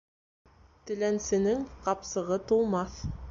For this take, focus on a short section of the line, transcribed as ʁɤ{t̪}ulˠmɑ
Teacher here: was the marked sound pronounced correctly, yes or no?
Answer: yes